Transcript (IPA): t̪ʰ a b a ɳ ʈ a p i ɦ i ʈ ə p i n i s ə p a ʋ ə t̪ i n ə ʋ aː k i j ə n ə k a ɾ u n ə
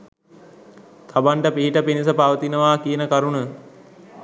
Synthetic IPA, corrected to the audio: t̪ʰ a b a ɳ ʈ ə p i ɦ i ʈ ə p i n i s ə p a ʋ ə t̪ i n ə ʋ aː k i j ə n ə k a ɾ u n ə